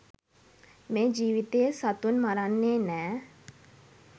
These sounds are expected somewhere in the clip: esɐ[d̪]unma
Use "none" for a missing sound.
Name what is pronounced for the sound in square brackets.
t̪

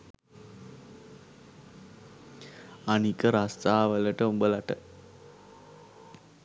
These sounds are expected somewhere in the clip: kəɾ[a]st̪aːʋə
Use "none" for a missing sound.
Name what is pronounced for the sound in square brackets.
a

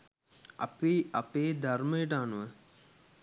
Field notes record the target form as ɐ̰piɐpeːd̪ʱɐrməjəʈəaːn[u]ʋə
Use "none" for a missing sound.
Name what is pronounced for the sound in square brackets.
u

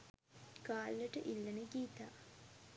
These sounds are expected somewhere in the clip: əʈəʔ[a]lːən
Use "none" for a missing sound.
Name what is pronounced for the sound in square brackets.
i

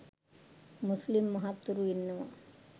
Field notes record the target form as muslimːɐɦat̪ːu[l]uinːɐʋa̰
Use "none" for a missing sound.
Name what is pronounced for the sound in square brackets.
ɾ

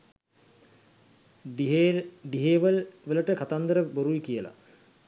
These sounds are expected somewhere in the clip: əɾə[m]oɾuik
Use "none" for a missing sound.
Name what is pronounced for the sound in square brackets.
b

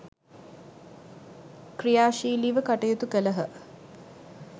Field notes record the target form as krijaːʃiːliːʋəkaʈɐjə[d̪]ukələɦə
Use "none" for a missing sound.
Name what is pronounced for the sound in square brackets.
t̪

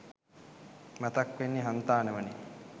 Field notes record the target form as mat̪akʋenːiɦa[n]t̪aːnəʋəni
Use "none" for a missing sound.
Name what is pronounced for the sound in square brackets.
n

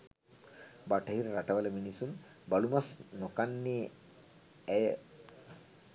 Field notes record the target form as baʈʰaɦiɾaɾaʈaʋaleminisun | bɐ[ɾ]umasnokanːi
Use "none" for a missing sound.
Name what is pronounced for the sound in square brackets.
l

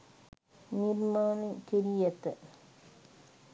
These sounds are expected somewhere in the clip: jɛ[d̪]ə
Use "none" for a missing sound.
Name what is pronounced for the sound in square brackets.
t̪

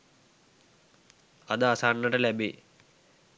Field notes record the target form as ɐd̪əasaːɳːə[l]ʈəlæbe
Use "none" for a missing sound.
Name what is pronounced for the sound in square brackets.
none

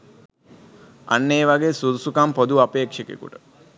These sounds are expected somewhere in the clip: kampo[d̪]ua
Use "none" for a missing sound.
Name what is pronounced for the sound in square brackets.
d̪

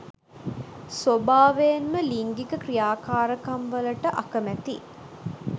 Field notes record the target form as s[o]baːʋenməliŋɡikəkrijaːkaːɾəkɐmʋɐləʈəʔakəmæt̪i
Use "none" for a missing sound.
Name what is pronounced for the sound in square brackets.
o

